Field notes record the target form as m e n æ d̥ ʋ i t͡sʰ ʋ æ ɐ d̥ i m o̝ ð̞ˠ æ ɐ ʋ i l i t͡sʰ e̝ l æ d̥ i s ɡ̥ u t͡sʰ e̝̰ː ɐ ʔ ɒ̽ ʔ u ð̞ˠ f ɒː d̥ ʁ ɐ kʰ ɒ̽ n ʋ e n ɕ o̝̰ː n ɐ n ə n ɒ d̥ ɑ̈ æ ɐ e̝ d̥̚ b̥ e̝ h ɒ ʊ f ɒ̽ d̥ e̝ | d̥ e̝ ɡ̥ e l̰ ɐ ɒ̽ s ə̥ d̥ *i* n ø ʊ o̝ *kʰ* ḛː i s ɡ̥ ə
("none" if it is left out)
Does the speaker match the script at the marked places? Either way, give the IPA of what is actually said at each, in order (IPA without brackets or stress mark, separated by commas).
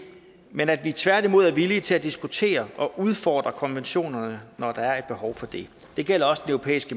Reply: e, pʰ